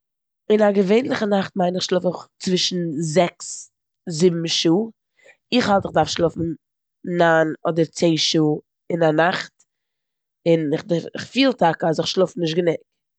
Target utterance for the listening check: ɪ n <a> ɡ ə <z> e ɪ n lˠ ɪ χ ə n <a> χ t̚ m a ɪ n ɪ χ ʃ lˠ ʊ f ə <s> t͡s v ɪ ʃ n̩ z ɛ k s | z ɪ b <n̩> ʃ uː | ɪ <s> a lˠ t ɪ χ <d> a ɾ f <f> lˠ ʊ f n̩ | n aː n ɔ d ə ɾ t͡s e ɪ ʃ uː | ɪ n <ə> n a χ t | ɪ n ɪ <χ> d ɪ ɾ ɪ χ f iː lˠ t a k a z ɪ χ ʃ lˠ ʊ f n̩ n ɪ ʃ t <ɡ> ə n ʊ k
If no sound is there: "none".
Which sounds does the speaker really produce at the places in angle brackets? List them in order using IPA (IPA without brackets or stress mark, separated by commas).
a, v, a, χ, m̩, χ, d, ʃ, a, χ, ɡ